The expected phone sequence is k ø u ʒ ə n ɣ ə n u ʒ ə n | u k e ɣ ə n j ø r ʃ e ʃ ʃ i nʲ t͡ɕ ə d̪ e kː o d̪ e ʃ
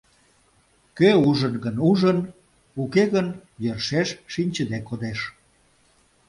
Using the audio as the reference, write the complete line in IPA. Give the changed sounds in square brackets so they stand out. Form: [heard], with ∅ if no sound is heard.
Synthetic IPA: k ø u ʒ ə n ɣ ə n u ʒ ə n | u k e ɣ ə n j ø r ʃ e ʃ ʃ i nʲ t͡ɕ ə d̪ e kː o d̪ e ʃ